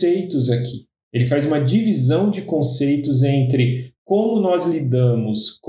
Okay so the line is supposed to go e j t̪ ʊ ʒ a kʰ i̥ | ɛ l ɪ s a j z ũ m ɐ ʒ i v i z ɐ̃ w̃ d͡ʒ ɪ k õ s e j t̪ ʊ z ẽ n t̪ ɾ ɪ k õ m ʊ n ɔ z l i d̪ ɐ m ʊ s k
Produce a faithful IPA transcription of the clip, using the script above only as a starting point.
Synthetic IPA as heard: e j t̪ ʊ z a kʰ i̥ | e l ɪ f a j z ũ m ɐ d͡ʒ i v i z ɐ̃ w̃ d͡ʒ ɪ k õ s e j t̪ ʊ z ẽ n t̪ ɾ ɪ k õ m ʊ n ɔ z l i d̪ ɐ̃ m ʊ s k